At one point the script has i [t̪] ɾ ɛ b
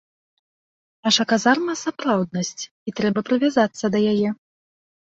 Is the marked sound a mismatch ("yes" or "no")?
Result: no